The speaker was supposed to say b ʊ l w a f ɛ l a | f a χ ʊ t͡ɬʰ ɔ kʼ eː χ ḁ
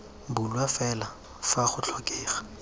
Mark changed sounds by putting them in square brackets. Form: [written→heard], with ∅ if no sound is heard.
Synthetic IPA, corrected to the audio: b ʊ l w a f ɛ l a | f a χ ʊ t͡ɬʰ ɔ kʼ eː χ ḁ